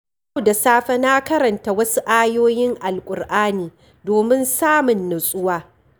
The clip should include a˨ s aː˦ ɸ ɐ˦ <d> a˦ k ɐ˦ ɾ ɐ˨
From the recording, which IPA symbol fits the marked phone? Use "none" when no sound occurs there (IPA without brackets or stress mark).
n